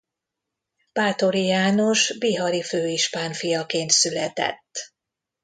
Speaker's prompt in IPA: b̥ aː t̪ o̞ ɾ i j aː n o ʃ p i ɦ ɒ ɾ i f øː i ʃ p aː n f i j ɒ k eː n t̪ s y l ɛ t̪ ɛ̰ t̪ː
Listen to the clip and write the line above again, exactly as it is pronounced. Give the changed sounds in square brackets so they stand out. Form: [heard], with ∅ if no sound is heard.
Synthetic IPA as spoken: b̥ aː t̪ o̞ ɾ i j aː n o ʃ [b] i ɦ ɒ ɾ i f øː i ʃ p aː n f i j ɒ k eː n t̪ s y l ɛ t̪ ɛ̰ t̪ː